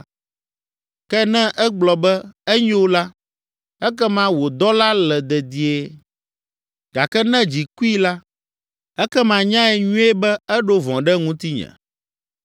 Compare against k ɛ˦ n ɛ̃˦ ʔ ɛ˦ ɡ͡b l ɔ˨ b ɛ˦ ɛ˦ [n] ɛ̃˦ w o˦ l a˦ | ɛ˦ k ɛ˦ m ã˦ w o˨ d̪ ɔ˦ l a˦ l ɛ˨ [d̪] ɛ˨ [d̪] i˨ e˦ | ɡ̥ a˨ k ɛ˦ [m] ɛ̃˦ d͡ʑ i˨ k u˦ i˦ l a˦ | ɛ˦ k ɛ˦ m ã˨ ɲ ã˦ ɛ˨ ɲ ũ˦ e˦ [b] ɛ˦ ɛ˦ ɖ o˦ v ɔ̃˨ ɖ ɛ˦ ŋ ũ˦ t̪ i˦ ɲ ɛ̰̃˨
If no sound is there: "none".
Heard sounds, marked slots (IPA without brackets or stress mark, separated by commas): ɲ, d̪, d̪, n, b